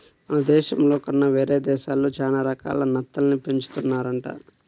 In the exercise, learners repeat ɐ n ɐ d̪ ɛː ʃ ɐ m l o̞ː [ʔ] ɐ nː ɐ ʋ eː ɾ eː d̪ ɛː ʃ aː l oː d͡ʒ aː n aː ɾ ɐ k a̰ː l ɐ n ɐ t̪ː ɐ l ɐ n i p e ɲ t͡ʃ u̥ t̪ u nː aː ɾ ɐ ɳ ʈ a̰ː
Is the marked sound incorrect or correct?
incorrect